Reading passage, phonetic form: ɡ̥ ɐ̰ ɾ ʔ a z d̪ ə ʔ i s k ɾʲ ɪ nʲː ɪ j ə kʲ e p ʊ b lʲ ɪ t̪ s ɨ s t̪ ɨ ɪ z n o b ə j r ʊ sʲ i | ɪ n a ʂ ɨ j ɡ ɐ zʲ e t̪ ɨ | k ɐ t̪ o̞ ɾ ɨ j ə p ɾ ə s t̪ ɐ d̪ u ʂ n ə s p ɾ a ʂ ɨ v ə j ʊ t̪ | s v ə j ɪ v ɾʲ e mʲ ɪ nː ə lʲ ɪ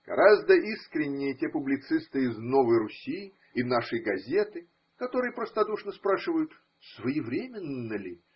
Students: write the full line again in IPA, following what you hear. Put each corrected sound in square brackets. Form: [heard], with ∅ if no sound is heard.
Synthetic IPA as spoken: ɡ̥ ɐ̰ ɾ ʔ a z d̪ ə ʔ i s k ɾʲ ɪ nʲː ɪ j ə [tʲ] e p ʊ b lʲ ɪ t̪ s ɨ s t̪ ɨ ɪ z n o [v] ə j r ʊ sʲ i | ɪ n a ʂ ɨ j ɡ ɐ zʲ e t̪ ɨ | k ɐ t̪ o̞ ɾ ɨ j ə p ɾ ə s t̪ ɐ d̪ u ʂ n ə s p ɾ a ʂ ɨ v ə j ʊ t̪ | s v ə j ɪ v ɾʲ e mʲ ɪ nː ə lʲ ɪ

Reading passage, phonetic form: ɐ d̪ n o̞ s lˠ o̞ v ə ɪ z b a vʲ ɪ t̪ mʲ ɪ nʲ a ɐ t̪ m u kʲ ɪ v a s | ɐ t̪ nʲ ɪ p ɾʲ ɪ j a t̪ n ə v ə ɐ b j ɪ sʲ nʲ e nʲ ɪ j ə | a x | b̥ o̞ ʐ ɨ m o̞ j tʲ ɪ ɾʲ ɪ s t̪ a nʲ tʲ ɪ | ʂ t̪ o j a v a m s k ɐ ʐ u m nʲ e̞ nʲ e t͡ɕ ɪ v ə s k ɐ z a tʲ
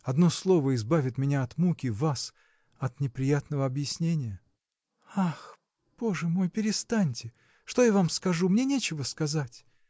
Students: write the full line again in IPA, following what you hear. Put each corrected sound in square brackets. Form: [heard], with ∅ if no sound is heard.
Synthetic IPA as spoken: ɐ d̪ n o̞ s lˠ o̞ v ə ɪ z b a vʲ ɪ t̪ mʲ ɪ nʲ a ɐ t̪ m u kʲ ɪ v a s | ɐ t̪ nʲ ɪ p ɾʲ ɪ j a t̪ n ə v ə ɐ b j ɪ sʲ nʲ e nʲ ɪ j ə | a x | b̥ o̞ ʐ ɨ m o̞ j [pʲ] ɪ ɾʲ ɪ s t̪ a nʲ tʲ ɪ | ʂ t̪ o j a v a m s k ɐ ʐ u m nʲ e̞ nʲ e t͡ɕ ɪ v ə s k ɐ z a tʲ

